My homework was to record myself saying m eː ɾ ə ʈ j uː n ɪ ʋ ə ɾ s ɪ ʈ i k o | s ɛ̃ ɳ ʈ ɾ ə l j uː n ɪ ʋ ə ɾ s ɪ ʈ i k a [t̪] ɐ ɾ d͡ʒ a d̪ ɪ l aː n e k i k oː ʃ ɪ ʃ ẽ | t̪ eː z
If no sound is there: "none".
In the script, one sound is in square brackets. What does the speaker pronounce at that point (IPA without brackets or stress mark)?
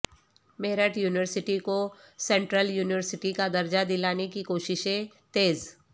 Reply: d̪